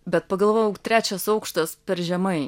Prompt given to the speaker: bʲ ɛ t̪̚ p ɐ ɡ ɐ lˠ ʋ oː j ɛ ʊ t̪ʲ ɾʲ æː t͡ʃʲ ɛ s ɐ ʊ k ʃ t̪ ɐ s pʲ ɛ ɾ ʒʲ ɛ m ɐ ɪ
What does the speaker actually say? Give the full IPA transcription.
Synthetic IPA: bʲ ɛ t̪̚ p ɐ ɡ ɐ lˠ ʋ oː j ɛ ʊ t̪ʲ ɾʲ æː t͡ʃʲ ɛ s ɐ ʊ k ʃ t̪ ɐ s pʲ ɛ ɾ ʒʲ ɛ m ɐ ɪ